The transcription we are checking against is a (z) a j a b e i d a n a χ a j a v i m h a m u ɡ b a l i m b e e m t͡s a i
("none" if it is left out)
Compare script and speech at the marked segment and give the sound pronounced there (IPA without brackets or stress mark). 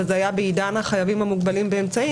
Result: z